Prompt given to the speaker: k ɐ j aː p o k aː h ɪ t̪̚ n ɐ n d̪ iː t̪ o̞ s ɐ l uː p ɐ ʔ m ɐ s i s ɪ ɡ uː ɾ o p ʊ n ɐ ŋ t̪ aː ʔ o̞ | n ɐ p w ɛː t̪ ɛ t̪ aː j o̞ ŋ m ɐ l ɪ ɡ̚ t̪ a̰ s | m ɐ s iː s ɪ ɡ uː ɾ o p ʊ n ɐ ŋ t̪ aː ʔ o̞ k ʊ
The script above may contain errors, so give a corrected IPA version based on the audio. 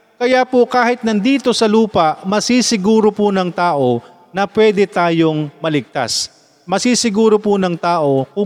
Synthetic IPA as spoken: k ɐ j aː p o k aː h ɪ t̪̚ n ɐ n d̪ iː t̪ o̞ s ɐ l uː p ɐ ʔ m ɐ s i s ɪ ɡ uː ɾ o p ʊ n ɐ ŋ t̪ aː ʔ o̞ | n ɐ p w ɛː d̪ ɛ t̪ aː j o̞ ŋ m ɐ l ɪ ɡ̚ t̪ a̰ s | m ɐ s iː s ɪ ɡ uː ɾ o p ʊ n ɐ ŋ t̪ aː ʔ o̞ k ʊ